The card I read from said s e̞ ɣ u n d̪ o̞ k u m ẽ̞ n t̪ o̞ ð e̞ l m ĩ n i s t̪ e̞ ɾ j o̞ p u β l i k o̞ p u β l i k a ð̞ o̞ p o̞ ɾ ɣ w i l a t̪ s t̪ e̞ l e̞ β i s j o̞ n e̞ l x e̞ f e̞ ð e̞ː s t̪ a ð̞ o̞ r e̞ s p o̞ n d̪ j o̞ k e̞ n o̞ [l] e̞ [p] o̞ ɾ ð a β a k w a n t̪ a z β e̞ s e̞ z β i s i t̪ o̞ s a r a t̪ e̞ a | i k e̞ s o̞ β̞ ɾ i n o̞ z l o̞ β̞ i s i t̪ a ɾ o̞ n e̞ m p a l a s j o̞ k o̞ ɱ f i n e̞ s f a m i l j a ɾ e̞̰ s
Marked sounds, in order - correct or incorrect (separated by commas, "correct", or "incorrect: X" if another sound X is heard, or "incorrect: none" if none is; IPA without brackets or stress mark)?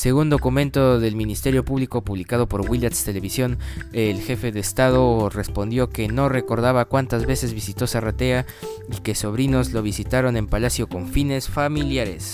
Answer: incorrect: r, incorrect: k